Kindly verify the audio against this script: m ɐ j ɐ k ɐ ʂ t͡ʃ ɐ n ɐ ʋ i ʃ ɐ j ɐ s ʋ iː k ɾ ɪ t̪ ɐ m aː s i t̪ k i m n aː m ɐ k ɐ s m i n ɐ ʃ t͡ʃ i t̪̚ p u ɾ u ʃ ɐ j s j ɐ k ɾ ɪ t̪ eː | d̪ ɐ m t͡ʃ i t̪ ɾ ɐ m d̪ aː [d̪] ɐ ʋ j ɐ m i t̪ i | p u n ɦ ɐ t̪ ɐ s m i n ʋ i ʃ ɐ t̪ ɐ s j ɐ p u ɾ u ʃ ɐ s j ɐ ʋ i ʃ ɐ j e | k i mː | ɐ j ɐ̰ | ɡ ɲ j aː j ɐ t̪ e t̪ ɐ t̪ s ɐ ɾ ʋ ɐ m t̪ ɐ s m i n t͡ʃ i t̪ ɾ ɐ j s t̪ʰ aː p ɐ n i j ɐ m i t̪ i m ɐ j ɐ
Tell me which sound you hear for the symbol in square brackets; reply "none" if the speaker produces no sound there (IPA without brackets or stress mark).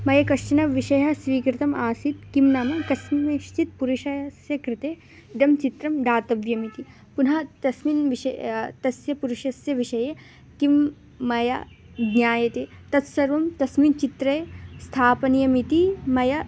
t̪